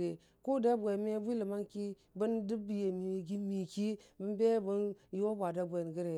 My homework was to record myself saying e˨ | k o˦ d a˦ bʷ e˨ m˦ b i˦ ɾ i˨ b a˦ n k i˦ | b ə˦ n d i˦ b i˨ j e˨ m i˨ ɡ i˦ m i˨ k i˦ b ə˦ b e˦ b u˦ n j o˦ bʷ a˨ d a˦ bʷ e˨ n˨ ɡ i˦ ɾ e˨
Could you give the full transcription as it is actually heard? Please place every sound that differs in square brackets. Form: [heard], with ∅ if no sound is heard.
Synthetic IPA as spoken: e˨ | k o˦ d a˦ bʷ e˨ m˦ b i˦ [l] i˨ [m] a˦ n k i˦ | b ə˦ n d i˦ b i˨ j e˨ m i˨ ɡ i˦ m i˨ k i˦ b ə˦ b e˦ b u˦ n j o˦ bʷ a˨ d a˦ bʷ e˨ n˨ ɡ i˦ ɾ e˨